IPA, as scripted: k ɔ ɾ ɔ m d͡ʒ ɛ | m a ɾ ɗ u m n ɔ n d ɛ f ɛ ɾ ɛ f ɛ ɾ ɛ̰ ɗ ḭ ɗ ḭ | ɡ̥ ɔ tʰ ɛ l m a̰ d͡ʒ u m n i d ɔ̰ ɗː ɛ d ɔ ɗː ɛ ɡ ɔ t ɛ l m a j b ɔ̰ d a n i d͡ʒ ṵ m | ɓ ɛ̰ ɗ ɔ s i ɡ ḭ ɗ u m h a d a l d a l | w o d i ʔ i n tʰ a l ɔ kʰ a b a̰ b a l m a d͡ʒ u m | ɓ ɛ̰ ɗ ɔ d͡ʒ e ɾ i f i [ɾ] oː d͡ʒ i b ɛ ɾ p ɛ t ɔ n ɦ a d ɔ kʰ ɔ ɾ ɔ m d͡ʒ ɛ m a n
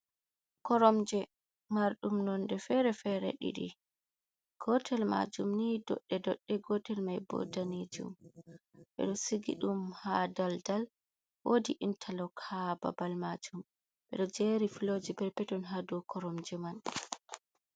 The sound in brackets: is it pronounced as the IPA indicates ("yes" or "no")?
no